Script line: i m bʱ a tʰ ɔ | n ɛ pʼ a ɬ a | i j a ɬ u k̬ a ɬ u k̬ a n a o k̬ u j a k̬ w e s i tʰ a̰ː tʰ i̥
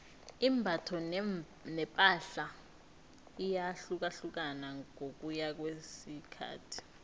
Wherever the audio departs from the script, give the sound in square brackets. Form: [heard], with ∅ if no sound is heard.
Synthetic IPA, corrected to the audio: i m bʱ a tʰ ɔ | n ɛ pʼ a ɬ a | i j a ɬ u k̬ a ɬ u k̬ a n a o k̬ u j a k̬ w e s i [kʰ] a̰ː tʰ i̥